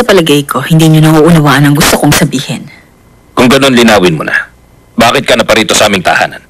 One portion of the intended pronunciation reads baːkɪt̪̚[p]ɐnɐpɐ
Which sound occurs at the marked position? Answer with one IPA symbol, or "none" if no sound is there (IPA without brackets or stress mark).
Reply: k